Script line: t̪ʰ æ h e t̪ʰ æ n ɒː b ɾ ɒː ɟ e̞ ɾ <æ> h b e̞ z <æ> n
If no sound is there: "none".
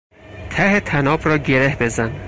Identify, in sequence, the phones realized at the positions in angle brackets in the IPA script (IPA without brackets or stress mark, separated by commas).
e, æ